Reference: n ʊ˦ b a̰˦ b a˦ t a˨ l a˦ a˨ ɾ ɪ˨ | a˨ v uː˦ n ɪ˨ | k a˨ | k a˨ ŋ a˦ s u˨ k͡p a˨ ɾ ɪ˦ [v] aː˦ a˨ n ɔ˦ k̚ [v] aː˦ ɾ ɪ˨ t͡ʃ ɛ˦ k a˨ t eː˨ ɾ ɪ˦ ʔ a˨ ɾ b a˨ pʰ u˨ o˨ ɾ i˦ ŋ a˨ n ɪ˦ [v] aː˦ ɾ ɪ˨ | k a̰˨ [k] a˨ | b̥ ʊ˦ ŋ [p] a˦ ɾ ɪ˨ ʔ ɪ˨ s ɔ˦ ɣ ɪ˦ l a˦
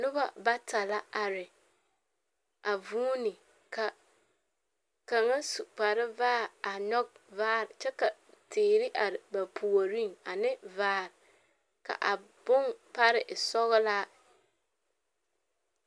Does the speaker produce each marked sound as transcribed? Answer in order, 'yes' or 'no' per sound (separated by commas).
yes, yes, yes, no, yes